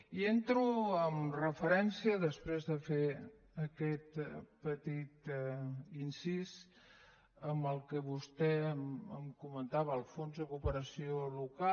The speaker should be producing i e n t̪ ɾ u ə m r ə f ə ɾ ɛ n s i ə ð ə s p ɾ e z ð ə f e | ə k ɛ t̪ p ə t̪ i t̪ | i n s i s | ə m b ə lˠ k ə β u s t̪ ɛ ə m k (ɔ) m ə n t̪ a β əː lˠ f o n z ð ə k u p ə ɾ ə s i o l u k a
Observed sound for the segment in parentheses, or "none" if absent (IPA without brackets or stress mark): u